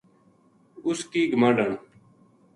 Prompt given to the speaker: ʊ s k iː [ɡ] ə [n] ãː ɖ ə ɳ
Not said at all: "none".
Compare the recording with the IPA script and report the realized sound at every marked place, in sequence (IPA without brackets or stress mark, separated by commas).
ɡ, m